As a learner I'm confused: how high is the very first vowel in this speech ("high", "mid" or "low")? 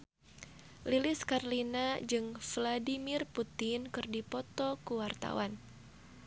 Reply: high